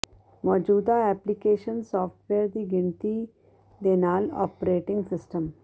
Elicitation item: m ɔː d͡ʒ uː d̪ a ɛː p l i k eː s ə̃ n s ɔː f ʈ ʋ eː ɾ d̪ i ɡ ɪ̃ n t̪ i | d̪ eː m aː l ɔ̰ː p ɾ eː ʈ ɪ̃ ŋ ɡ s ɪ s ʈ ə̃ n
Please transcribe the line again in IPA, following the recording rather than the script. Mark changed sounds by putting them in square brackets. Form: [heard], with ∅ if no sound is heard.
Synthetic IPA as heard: m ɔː d͡ʒ uː d̪ a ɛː p l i k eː [ʃ] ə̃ n s ɔː f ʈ ʋ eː ɾ d̪ i ɡ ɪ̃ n t̪ i | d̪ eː [n] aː l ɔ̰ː p ɾ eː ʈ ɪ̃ ŋ ɡ s ɪ s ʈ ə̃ [m]